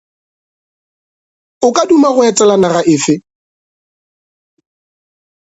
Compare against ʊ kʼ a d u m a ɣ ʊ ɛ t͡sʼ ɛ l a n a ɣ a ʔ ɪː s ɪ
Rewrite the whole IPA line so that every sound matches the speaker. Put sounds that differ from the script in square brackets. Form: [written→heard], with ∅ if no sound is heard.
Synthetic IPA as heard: ʊ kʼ a d u m a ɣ ʊ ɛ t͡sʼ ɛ l a n a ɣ a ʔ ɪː [s→f] ɪ